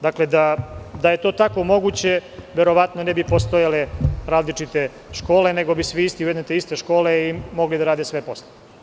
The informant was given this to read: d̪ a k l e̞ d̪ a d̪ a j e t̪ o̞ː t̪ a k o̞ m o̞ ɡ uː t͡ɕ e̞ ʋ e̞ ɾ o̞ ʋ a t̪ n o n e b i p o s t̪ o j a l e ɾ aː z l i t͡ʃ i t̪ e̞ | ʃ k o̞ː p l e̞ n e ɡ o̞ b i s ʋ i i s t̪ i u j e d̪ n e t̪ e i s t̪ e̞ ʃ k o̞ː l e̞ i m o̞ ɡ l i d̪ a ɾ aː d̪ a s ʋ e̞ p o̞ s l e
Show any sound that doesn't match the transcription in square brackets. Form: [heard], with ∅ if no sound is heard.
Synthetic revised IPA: d̪ a k l e̞ d̪ a d̪ a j e t̪ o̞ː t̪ a k o̞ m o̞ ɡ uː t͡ɕ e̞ ʋ e̞ ɾ o̞ ʋ a t̪ n o n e b i p o s t̪ o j a l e ɾ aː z l i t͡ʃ i t̪ e̞ | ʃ k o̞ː [∅] l e̞ n e ɡ o̞ b i s ʋ i i s t̪ i u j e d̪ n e t̪ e i s t̪ e̞ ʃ k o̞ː l e̞ i m o̞ ɡ l i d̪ a ɾ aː d̪ [e] s ʋ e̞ p o̞ s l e